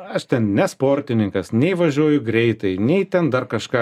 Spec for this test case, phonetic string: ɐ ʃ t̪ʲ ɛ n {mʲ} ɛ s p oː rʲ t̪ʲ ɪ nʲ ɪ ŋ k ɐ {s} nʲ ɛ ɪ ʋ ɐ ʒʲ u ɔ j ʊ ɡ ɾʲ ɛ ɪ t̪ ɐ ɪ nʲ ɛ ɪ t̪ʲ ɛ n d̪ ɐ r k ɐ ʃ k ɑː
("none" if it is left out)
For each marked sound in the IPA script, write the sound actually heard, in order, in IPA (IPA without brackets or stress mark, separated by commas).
nʲ, s